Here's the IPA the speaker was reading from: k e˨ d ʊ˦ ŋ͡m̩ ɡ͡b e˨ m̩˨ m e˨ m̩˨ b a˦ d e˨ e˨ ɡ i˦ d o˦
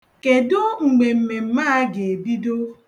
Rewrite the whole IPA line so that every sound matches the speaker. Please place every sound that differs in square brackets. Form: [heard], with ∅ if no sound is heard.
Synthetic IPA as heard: k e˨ d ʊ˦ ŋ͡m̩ ɡ͡b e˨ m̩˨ m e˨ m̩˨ [m] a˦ [ɡ] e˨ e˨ [b] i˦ d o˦

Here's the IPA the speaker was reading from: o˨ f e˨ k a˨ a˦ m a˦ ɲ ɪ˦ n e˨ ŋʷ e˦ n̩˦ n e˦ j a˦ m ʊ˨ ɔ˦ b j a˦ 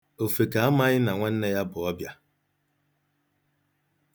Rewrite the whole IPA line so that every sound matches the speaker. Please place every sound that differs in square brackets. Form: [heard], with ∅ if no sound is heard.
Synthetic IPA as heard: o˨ f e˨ k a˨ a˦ m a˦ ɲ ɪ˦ n [a˨] ŋʷ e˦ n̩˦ n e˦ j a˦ [b] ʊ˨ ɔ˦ b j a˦

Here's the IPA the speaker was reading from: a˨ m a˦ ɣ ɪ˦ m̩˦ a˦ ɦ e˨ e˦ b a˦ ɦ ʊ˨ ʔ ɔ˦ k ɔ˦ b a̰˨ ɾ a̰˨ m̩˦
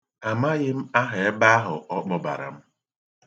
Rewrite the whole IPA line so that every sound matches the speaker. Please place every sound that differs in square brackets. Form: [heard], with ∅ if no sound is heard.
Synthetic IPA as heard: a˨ m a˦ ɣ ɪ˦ m̩˦ a˦ ɦ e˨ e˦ b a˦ ɦ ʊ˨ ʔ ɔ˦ [k͡p] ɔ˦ b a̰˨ ɾ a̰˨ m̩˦

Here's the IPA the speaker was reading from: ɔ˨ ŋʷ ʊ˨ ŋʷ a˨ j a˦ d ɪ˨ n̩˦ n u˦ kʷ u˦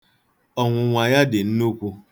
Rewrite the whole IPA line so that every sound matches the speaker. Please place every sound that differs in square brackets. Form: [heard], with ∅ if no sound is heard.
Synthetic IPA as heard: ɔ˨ ŋʷ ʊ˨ ŋʷ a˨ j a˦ d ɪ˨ n̩˦ n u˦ kʷ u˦

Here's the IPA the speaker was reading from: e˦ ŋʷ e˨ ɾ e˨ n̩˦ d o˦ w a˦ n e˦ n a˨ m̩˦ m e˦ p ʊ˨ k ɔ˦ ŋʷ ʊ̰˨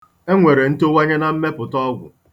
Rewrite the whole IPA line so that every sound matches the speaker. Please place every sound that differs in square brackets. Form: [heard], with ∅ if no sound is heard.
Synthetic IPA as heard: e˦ ŋʷ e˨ ɾ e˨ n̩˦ [t] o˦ w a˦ [ɲ] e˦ n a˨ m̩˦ m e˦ p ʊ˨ [t] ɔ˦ [ɡʷ] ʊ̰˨

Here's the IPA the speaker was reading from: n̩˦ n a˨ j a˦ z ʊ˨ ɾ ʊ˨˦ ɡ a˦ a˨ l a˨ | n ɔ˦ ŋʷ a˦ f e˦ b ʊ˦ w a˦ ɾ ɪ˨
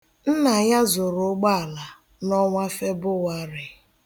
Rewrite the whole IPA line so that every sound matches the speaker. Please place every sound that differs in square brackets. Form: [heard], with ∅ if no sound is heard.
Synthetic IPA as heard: n̩˦ n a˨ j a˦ z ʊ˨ ɾ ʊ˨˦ [ɡ͡b] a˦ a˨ l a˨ | n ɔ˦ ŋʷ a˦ f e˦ b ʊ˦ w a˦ ɾ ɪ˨

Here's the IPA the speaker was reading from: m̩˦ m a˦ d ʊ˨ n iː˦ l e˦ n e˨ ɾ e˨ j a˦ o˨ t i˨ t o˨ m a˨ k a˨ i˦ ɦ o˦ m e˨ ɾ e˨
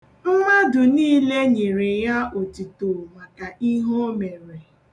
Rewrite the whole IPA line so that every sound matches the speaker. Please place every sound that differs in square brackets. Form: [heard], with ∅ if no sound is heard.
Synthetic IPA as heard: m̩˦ m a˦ d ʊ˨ n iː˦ l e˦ [ɲ] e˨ ɾ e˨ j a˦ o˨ t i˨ t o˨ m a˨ k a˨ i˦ ɦ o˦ m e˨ ɾ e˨

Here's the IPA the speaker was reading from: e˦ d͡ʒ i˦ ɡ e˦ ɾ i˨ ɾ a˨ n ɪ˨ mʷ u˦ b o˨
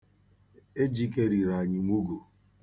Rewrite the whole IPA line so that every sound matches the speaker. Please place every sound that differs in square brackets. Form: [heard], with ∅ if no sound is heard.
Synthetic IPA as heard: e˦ d͡ʒ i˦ [k] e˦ ɾ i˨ ɾ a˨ [ɲ] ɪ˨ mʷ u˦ [ɡ] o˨

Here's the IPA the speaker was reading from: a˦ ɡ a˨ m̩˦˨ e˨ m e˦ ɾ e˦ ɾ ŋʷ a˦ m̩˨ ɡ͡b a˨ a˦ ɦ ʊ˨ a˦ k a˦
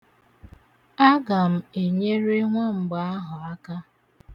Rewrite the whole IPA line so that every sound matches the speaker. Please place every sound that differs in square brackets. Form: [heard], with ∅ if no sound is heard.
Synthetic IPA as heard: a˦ ɡ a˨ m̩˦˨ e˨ [ɲ] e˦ ɾ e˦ [∅] ŋʷ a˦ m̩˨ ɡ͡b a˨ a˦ ɦ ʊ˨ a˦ k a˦

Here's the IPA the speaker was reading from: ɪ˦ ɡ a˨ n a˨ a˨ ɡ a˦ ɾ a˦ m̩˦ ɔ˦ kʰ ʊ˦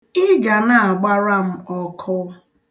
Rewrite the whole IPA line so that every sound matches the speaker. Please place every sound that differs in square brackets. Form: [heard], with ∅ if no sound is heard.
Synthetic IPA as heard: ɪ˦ ɡ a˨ n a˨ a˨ [ɡ͡b] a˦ ɾ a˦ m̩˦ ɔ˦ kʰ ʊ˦

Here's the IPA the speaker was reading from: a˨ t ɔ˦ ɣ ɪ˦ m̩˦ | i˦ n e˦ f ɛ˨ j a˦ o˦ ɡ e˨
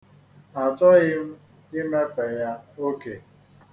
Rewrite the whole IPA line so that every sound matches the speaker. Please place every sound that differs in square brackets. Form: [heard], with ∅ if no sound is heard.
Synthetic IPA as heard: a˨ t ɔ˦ ɣ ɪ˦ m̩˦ | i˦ [m] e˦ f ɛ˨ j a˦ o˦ [k] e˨

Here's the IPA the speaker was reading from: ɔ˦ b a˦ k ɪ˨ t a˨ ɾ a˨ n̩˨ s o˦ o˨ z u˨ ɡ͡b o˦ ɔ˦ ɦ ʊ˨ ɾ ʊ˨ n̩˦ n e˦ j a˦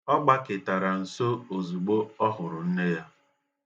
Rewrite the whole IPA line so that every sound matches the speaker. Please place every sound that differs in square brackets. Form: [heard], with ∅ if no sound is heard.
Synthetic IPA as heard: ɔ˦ [ɡ͡b] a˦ k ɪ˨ t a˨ ɾ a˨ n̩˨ s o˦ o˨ z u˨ ɡ͡b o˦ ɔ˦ ɦ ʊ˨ ɾ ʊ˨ n̩˦ n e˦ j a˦

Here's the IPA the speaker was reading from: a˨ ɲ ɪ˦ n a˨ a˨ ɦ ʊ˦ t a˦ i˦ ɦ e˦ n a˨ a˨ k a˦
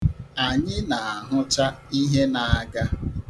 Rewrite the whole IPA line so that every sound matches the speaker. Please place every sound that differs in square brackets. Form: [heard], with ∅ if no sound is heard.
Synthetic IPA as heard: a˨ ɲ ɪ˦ n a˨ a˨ ɦ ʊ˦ [t͡ʃ] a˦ i˦ ɦ e˦ n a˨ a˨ [ɡ] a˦

